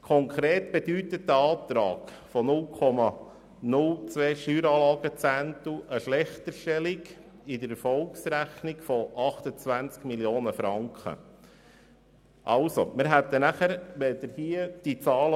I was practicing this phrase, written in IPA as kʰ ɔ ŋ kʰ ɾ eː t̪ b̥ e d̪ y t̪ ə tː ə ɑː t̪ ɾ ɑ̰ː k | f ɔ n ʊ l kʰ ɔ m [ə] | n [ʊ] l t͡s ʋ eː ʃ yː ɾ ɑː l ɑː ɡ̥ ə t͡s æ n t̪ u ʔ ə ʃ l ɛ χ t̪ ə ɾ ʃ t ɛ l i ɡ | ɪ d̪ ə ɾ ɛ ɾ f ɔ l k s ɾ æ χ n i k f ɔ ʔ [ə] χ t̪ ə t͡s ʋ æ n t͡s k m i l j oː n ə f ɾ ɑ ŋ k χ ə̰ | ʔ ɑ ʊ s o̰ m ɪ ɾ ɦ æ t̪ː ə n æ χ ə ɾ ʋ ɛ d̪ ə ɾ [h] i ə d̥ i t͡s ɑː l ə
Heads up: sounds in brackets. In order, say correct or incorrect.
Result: incorrect: ɑ, correct, incorrect: ɑ, correct

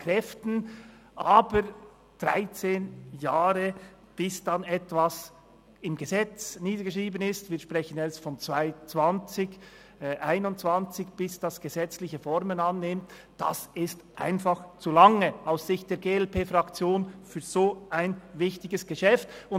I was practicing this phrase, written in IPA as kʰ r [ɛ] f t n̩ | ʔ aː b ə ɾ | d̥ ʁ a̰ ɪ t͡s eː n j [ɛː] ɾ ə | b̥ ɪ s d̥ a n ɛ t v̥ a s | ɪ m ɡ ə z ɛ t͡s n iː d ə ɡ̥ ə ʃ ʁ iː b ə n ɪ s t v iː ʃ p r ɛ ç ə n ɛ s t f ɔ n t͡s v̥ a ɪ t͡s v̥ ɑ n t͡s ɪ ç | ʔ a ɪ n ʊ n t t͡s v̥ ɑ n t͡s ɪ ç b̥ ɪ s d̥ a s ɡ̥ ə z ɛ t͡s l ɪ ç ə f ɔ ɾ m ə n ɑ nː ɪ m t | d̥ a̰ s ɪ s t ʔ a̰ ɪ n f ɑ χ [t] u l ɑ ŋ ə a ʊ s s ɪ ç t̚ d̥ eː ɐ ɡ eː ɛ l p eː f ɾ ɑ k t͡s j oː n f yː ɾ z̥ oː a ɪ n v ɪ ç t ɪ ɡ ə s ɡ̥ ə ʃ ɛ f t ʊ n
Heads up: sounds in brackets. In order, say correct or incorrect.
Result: correct, incorrect: aː, incorrect: t͡s

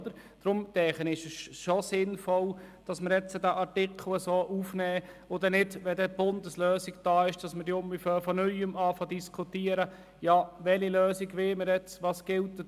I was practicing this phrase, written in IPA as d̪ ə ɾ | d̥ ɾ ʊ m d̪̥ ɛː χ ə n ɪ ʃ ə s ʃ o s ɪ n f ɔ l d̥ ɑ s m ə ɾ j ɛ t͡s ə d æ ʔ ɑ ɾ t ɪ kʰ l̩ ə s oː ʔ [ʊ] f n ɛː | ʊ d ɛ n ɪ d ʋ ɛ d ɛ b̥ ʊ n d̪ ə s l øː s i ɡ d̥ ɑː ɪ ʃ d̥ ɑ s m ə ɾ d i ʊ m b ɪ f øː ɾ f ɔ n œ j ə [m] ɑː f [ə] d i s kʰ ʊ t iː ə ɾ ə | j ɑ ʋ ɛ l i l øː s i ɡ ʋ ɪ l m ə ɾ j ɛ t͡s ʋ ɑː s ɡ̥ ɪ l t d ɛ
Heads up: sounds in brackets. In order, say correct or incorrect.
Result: incorrect: u, correct, incorrect: ɑ

